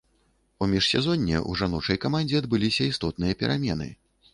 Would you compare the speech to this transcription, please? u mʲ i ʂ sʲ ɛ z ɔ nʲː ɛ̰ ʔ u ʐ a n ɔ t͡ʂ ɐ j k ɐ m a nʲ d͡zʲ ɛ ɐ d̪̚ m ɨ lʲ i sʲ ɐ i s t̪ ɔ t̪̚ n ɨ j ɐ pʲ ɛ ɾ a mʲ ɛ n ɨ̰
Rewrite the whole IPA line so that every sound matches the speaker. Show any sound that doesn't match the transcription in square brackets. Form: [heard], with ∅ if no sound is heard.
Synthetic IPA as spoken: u mʲ i ʂ sʲ ɛ z ɔ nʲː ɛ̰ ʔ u ʐ a n ɔ t͡ʂ ɐ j k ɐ m a nʲ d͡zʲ ɛ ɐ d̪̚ [b] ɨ lʲ i sʲ ɐ i s t̪ ɔ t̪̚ n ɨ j ɐ pʲ ɛ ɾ a mʲ ɛ n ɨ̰